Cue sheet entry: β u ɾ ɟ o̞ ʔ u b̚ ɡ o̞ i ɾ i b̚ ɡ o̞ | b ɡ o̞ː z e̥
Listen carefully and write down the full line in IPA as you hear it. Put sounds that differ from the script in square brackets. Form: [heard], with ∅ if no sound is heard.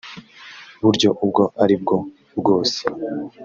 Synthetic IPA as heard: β u ɾ ɟ o̞ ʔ u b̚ ɡ o̞ [a] ɾ i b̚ ɡ o̞ | b ɡ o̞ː [s] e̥

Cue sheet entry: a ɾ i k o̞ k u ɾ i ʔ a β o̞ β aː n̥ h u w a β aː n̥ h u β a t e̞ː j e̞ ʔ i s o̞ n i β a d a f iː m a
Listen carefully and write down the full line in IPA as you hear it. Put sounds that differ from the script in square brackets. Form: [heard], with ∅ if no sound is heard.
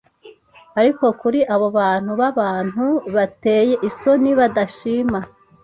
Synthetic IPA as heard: a ɾ i k o̞ k u ɾ i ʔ a β o̞ β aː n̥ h u [β] a β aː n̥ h u β a t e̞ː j e̞ ʔ i s o̞ n i β a d a [ʃ] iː m a

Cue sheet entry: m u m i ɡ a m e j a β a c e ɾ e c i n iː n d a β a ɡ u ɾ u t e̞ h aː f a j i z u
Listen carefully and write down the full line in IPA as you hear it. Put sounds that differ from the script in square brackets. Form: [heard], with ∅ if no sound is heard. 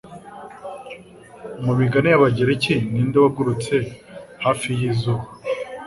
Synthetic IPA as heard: m u m i ɡ a [n] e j a β a [ɟ] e ɾ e c i n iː n d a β a ɡ u ɾ u [t͡s] e̞ h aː f [i] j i z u

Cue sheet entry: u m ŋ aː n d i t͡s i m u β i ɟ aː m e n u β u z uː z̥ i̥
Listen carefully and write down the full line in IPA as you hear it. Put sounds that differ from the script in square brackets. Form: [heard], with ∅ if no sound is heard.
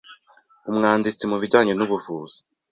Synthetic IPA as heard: u m ŋ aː n d i t͡s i m u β i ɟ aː [ɲ] e n u β u [v] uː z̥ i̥

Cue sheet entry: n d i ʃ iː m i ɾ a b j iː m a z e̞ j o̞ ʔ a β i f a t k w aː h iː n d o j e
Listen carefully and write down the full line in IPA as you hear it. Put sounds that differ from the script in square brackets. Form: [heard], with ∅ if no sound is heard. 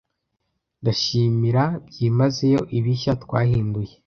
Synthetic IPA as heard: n d [a] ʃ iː m i ɾ a b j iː m a z e̞ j o̞ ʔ [i] β i [ʃ] a t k w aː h iː n d [u] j e

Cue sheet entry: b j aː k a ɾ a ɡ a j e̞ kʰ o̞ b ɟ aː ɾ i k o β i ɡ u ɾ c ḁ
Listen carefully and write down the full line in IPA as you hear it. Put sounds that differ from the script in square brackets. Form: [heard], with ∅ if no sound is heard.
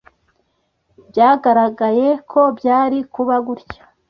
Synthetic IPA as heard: b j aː [ɡ] a ɾ a ɡ a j e̞ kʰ o̞ b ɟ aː ɾ i k [u] β [a] ɡ u ɾ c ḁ

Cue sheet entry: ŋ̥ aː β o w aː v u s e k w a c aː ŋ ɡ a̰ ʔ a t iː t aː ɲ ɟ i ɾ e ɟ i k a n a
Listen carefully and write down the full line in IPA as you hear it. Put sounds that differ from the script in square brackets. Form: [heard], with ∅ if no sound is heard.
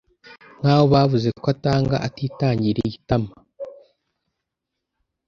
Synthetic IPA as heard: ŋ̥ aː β o [β] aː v u [z] e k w a [t] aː ŋ ɡ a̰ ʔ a t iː t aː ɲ ɟ i ɾ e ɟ i [t] a [m] a

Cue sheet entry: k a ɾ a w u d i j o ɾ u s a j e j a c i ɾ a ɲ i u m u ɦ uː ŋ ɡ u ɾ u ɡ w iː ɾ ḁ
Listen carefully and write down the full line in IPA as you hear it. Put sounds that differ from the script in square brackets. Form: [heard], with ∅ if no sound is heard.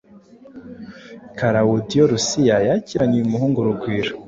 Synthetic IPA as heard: k a ɾ a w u d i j o ɾ u s [i] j [a] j a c i ɾ a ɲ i u m u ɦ uː ŋ ɡ u ɾ u ɡ w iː ɾ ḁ

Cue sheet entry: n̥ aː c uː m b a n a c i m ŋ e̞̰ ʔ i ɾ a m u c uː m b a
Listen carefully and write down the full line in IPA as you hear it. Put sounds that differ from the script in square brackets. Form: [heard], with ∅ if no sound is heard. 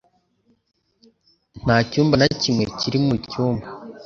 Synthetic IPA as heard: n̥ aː c uː m b a n a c i m ŋ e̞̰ [c] i ɾ [i] m u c uː m b a

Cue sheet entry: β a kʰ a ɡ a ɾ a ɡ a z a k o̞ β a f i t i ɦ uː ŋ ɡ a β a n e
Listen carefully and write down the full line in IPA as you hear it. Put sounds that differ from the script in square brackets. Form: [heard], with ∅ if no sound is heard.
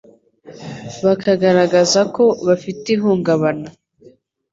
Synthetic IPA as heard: β a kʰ a ɡ a ɾ a ɡ a z a k o̞ β a f i t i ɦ uː ŋ ɡ a β a n [a]

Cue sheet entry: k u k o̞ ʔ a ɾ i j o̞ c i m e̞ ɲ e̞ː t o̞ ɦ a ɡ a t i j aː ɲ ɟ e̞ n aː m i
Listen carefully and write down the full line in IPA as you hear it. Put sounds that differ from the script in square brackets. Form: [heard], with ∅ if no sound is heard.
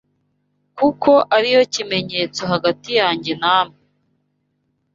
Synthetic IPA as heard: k u k o̞ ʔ a ɾ i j o̞ c i m e̞ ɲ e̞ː [t͡s] o̞ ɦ a ɡ a t i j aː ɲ ɟ e̞ n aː m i

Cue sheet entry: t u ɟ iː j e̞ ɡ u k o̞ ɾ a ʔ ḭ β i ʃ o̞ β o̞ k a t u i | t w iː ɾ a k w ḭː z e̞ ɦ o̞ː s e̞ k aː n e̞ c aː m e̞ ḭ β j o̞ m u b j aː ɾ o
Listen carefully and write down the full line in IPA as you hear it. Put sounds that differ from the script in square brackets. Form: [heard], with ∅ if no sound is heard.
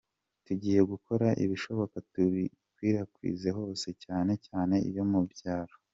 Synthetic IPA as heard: t u ɟ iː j e̞ ɡ u k o̞ ɾ a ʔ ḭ β i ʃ o̞ β o̞ k a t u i | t w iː ɾ a k w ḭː z e̞ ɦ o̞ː s e̞ [c] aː n e̞ c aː [n] e̞ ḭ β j o̞ m u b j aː ɾ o

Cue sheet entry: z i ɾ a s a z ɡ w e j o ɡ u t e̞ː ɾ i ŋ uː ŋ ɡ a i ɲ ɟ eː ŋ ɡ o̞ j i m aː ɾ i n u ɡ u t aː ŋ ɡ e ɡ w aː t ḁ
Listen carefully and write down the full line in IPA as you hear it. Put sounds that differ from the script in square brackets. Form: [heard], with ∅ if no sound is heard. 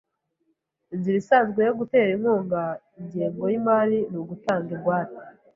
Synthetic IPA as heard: z i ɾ [i] s a z ɡ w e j o ɡ u t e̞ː ɾ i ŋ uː ŋ ɡ a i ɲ ɟ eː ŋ ɡ o̞ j i m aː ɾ i n u ɡ u t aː ŋ ɡ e ɡ w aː t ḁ

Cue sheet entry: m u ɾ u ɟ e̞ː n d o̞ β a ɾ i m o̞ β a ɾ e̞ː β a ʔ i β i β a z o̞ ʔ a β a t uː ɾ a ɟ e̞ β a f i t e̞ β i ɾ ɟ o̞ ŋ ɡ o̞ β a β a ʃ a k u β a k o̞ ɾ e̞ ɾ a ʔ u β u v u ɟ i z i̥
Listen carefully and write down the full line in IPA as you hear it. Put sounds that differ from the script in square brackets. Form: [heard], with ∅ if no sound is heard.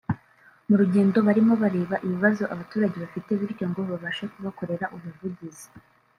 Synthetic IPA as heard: m u ɾ u ɟ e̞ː n d o̞ β a ɾ i m o̞ β a ɾ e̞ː β a ʔ i β i β a z o̞ ʔ a β a t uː ɾ a ɟ e̞ β a f i t e̞ β i ɾ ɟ o̞ ŋ ɡ o̞ β a β a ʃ a k u β a k o̞ ɾ e̞ ɾ a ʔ u β u v u ɟ i z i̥

